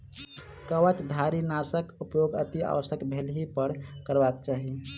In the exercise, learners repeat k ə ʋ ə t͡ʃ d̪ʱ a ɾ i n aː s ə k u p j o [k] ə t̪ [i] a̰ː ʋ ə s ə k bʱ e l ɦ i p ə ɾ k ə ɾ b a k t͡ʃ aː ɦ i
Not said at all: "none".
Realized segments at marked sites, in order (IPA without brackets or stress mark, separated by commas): ɡ, i